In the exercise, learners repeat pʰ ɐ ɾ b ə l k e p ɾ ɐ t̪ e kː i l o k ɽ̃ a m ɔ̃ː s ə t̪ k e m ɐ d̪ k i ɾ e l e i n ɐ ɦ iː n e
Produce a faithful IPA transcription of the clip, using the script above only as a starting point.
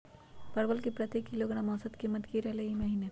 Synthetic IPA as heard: p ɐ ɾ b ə l k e p ɾ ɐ t̪ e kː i l o ɡ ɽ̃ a m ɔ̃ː s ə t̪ k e m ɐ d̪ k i ɾ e l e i m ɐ ɦ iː n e